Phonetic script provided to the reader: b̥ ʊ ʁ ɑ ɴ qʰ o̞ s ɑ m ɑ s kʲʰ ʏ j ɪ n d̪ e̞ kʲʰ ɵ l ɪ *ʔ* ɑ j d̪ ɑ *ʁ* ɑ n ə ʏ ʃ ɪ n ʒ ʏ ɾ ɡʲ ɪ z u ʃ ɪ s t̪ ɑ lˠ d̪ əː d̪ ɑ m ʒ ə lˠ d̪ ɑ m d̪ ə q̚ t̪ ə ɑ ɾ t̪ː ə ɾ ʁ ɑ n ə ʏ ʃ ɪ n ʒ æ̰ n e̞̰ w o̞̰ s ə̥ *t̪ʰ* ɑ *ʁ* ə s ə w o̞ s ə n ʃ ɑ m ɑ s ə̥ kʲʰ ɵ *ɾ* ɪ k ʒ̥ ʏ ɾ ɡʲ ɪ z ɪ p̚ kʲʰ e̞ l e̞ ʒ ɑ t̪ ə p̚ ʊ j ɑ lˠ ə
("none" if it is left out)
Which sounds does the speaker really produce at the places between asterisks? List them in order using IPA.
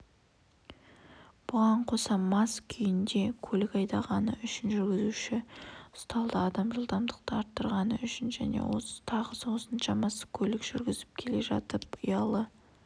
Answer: k, ʁ, t̪ʰ, ʁ, l

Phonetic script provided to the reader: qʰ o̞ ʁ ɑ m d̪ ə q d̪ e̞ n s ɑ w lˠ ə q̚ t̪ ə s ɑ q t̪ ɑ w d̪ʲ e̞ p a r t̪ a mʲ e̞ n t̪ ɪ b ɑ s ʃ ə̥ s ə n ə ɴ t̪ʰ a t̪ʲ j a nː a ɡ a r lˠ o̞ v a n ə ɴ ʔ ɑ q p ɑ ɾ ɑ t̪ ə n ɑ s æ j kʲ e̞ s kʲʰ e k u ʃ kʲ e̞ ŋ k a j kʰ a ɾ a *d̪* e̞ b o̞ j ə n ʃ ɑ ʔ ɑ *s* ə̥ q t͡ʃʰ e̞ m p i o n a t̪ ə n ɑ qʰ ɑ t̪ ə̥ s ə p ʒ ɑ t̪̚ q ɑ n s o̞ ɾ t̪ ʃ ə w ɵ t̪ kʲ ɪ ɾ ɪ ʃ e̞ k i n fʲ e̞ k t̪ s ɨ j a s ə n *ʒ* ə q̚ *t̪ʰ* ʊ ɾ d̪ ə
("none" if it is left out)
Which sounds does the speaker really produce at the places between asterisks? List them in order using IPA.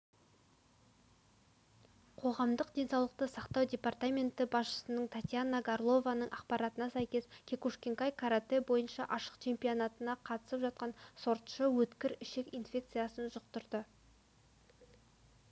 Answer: t̪, ʃ, ʒ, t̪

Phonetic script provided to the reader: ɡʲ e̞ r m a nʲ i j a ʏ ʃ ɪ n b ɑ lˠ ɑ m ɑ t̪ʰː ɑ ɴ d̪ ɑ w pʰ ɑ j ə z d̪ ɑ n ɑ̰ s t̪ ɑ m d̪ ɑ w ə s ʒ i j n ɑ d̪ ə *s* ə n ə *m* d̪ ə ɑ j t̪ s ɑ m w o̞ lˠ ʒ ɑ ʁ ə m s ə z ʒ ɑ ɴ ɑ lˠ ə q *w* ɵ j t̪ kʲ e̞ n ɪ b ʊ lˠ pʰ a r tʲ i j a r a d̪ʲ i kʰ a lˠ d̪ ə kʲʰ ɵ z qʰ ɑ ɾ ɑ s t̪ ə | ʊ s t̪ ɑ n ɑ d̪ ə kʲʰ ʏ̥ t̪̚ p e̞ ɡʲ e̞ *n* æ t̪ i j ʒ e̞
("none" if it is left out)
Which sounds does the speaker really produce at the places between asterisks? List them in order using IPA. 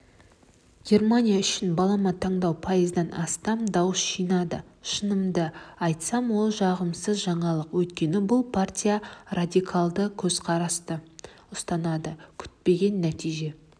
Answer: ʃ, m, w, nː

